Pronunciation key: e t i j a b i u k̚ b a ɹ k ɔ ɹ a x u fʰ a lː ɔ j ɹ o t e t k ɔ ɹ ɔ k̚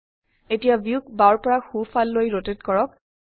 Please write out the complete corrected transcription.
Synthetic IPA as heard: e t i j a b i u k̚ b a ɹ p ɔ ɹ a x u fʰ a lː o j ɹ o t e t k ɔ ɹ ɔ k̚